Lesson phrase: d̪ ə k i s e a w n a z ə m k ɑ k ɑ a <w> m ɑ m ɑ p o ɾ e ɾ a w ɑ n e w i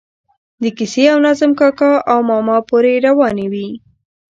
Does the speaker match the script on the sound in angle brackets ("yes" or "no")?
yes